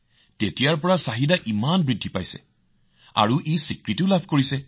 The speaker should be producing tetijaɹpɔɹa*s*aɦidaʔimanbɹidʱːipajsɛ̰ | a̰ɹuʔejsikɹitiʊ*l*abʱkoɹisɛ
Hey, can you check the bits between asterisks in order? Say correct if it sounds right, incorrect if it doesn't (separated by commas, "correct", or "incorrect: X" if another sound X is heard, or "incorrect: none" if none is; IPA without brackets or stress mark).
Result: correct, correct